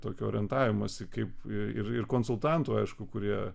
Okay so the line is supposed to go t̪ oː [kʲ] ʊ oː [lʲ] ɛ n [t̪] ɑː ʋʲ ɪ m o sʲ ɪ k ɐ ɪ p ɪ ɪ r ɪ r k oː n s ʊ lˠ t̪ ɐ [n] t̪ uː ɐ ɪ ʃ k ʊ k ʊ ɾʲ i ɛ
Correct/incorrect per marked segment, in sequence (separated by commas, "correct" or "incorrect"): correct, incorrect, correct, correct